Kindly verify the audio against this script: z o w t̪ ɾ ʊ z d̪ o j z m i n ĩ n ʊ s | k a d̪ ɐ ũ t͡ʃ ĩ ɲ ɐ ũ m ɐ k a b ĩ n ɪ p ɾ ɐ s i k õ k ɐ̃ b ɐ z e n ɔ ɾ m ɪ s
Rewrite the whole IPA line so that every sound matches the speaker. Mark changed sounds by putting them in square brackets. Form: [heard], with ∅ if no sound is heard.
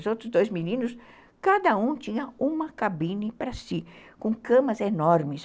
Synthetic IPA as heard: z o w t̪ ɾ ʊ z d̪ o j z m i n ĩ n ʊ s | k a d̪ ɐ ũ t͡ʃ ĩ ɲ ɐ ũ m ɐ k a b ĩ n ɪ p ɾ ɐ s i k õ k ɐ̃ [m] ɐ z e n ɔ ɾ m ɪ s

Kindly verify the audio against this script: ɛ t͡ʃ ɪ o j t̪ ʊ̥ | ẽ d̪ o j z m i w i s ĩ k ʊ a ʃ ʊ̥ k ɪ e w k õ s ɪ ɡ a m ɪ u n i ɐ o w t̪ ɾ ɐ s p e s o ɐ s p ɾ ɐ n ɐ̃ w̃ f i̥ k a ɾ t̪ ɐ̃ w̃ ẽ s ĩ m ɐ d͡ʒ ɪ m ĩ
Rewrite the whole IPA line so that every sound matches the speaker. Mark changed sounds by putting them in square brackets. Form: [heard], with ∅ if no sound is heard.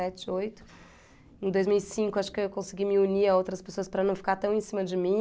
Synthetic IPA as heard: ɛ t͡ʃ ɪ o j t̪ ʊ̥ | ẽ d̪ o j z m i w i s ĩ k ʊ a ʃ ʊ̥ k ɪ e w k õ s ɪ ɡ [i] m ɪ u n i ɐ o w t̪ ɾ ɐ s p e s o ɐ s p ɾ ɐ n ɐ̃ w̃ f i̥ k a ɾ t̪ ɐ̃ w̃ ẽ s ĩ m ɐ d͡ʒ ɪ m ĩ

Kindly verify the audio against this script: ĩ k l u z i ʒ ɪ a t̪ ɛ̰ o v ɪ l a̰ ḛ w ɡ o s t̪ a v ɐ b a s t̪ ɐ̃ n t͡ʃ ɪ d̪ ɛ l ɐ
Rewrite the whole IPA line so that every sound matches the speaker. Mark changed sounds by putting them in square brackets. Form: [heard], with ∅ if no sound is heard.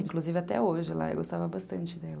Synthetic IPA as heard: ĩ k l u z i [v] ɪ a t̪ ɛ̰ o [ʒ] ɪ l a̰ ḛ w ɡ o s t̪ a v ɐ b a s t̪ ɐ̃ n t͡ʃ ɪ d̪ ɛ l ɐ

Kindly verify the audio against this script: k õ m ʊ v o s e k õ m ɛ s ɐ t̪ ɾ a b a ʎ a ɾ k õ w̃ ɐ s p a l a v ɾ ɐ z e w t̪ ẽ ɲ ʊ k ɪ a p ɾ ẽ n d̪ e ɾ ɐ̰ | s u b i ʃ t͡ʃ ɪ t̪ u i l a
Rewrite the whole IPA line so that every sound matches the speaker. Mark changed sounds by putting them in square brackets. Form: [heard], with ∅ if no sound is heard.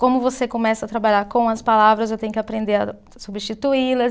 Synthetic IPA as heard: k õ m ʊ v o s e k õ m ɛ s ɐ t̪ ɾ a b a ʎ a ɾ k õ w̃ ɐ s p a l a v ɾ ɐ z e w t̪ ẽ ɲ ʊ k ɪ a p ɾ ẽ n d̪ e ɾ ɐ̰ | s u b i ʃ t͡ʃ [i] t̪ u i l [ɐ]

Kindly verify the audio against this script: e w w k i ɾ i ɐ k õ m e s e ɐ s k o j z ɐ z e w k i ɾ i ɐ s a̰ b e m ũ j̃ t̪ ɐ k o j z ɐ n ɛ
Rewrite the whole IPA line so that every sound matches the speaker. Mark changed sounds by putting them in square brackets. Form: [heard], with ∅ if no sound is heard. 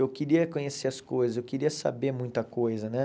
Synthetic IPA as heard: e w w k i ɾ i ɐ k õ [ɲ] e s e ɐ s k o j z ɐ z e w k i ɾ i ɐ s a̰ b e m ũ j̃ t̪ ɐ k o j z ɐ n ɛ

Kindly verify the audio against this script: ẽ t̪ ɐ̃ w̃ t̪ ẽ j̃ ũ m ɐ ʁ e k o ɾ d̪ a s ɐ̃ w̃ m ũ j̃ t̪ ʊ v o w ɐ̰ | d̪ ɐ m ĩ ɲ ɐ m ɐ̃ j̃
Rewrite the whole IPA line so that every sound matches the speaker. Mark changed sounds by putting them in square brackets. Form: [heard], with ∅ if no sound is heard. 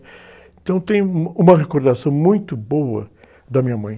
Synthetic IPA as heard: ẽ t̪ ɐ̃ w̃ t̪ ẽ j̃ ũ m ɐ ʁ e k o ɾ d̪ a s ɐ̃ w̃ m ũ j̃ t̪ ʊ [b] o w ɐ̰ | d̪ ɐ m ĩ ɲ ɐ m ɐ̃ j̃

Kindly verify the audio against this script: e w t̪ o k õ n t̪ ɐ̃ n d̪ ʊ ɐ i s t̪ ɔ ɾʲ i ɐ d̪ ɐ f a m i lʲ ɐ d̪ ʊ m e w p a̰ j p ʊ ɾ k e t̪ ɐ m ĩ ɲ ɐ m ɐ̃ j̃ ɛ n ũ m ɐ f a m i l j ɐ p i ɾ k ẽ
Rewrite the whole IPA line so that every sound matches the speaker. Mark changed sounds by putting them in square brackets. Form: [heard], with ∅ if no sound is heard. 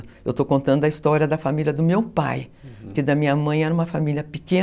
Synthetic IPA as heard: e w t̪ o k õ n t̪ ɐ̃ n d̪ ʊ ɐ i s t̪ ɔ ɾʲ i ɐ d̪ ɐ f a m i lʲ ɐ d̪ ʊ m e w p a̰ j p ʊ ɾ k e [d̪] ɐ m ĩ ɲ ɐ m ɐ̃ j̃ ɛ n ũ m ɐ f a m i l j ɐ p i [∅] k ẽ

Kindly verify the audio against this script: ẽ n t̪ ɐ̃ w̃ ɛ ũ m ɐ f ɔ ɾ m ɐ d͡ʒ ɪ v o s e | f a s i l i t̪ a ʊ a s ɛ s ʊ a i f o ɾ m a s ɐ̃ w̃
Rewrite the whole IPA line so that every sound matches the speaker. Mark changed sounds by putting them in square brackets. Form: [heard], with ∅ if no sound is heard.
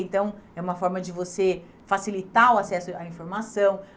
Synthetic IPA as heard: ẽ n t̪ ɐ̃ w̃ ɛ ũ m ɐ f ɔ ɾ m ɐ d͡ʒ ɪ v o s e | f a s i l i t̪ a ʊ a s ɛ s ʊ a [ĩ] f o ɾ m a s ɐ̃ w̃

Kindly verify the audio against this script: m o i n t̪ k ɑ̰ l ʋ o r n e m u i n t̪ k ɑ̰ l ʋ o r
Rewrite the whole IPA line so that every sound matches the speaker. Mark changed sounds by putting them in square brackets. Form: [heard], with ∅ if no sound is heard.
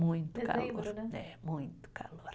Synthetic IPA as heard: m [u] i n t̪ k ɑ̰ l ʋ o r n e m u i n t̪ k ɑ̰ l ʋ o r

